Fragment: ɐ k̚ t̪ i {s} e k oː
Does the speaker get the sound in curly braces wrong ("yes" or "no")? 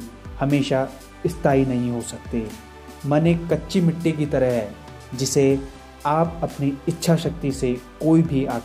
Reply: no